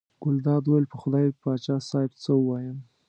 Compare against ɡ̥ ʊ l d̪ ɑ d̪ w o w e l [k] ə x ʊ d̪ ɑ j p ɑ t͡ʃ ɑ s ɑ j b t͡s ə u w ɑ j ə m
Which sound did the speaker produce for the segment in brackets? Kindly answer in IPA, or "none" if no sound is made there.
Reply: p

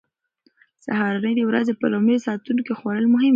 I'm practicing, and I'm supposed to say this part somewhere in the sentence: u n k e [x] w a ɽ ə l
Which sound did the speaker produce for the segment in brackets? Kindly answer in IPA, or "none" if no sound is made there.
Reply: x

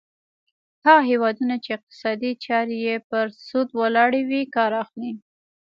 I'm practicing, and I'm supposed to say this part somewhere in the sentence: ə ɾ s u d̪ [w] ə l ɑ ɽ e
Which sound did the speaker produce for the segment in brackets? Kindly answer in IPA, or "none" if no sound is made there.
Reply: w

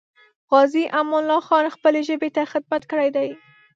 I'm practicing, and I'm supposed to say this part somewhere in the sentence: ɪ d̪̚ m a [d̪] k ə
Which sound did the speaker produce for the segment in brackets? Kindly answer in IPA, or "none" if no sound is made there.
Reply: t̪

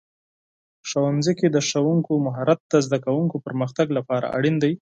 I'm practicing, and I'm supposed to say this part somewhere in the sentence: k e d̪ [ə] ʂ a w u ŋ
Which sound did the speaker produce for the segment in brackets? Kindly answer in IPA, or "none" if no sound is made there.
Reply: ə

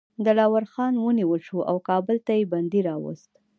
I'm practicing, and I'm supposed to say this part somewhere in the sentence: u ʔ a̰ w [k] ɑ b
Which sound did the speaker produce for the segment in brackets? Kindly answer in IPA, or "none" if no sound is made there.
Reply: k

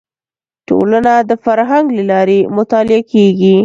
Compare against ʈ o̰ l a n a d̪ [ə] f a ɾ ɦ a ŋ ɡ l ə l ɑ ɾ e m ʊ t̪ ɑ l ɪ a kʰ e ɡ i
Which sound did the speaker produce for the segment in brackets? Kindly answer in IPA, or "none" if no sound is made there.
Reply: ə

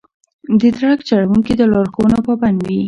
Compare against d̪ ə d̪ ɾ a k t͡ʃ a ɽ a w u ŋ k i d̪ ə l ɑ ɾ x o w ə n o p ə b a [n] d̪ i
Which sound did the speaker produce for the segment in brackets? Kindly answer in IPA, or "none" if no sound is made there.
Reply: n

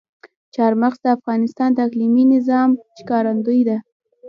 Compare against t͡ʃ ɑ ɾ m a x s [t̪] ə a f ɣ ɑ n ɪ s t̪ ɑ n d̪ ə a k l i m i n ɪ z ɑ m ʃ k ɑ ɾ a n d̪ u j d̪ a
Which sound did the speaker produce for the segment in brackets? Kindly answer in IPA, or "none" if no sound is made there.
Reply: d̪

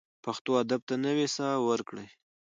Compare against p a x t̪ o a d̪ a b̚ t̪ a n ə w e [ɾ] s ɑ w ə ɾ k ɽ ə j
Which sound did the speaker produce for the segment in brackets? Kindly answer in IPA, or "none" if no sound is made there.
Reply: none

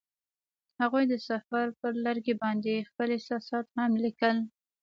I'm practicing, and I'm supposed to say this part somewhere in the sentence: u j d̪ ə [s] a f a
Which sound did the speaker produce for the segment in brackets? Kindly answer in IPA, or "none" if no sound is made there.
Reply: s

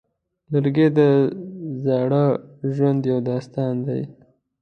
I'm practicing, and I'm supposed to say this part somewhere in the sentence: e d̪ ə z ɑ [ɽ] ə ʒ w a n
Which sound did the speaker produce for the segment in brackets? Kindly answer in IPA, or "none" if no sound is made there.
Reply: ɽ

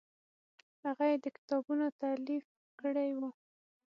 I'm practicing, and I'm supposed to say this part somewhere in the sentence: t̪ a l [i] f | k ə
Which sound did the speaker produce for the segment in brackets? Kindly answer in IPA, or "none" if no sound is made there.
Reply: i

